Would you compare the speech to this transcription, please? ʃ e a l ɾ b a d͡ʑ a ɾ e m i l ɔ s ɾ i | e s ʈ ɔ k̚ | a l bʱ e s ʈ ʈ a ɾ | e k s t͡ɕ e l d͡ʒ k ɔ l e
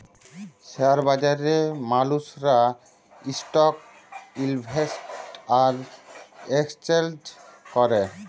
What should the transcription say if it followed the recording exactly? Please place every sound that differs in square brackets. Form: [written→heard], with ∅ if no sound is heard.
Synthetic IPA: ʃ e a [l→∅] ɾ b a d͡ʑ a ɾ e m [i→a] l [ɔ→u] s ɾ [i→a] | [e→i] s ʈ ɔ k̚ | [a→i] l bʱ e s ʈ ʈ a ɾ | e k s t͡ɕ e l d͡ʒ k ɔ [l→ɾ] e